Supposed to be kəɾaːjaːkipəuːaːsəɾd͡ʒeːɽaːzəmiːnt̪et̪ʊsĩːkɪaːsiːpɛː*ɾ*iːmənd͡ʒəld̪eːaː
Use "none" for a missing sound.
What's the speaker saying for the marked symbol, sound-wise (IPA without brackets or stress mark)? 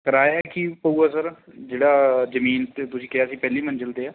l